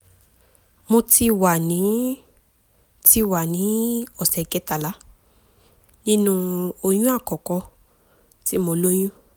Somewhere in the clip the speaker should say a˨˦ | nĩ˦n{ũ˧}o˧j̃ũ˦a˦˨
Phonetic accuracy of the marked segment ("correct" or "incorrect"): correct